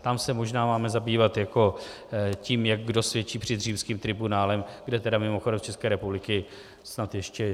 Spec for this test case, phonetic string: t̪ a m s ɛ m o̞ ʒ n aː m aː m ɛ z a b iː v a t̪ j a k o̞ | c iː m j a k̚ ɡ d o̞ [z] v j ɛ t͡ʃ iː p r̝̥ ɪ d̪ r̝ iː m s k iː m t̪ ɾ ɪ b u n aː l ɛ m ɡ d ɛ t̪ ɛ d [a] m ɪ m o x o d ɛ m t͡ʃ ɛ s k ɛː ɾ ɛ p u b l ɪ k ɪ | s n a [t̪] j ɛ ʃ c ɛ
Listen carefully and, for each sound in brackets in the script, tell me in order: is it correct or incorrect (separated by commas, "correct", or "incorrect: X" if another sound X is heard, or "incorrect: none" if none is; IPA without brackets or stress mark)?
incorrect: s, correct, correct